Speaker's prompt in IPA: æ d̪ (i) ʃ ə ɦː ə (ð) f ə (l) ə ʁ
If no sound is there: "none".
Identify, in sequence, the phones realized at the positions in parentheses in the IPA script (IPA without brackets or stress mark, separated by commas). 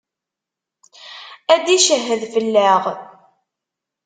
i, ð, lː